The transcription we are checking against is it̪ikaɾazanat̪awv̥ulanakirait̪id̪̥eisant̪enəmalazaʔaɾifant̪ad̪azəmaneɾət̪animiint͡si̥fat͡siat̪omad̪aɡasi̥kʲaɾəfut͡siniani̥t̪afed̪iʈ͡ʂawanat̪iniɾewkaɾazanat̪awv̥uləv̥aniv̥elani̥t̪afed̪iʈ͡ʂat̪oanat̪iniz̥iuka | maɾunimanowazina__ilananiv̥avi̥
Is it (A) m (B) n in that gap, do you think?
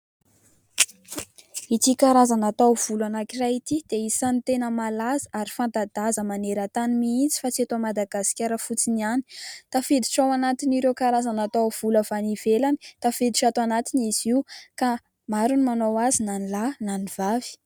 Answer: B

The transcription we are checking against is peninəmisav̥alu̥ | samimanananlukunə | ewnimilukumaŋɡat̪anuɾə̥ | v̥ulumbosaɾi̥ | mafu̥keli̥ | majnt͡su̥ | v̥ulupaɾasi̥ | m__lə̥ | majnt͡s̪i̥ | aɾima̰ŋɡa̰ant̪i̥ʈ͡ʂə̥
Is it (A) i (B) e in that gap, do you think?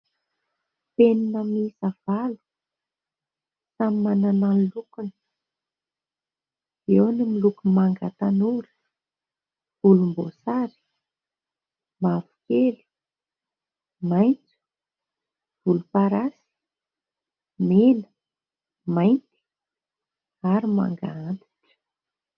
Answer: B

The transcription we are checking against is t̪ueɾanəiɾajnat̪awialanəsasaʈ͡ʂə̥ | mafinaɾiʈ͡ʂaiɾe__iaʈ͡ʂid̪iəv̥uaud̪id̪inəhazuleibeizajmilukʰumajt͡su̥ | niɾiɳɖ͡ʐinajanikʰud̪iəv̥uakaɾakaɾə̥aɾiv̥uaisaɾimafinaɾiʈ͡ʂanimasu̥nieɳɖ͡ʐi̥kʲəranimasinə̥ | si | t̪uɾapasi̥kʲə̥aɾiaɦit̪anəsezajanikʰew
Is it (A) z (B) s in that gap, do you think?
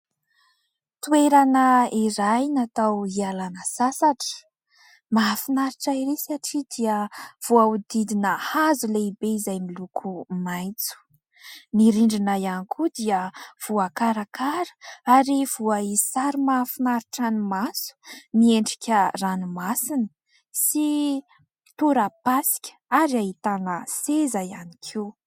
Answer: B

